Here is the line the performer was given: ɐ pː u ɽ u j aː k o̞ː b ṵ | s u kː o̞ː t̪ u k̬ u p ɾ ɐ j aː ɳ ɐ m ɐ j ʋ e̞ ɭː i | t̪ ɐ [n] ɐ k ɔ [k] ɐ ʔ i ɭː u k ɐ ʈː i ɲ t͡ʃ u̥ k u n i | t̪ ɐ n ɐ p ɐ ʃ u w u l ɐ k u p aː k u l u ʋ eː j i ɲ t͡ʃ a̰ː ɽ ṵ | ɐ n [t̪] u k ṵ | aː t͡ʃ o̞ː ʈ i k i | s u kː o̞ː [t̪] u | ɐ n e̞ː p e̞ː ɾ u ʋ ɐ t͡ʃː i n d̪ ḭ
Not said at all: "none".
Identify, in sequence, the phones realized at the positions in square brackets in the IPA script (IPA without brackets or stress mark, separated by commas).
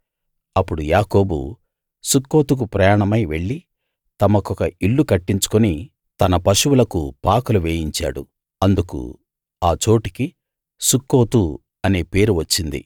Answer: m, k, d̪, t̪